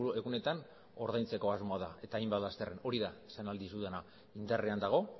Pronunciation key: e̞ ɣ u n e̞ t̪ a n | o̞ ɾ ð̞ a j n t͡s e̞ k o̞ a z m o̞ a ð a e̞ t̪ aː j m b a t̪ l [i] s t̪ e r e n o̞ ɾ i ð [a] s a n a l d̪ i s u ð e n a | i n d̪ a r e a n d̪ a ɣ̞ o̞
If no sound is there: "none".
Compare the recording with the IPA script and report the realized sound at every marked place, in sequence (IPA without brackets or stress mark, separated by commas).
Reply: a, a